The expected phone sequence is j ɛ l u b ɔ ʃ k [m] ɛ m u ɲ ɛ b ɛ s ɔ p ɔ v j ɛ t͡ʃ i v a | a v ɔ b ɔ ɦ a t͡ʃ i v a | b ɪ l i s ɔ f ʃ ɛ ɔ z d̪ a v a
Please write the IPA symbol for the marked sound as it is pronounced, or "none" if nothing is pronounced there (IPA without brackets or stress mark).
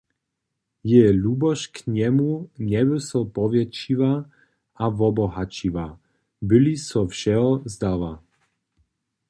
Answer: ɲ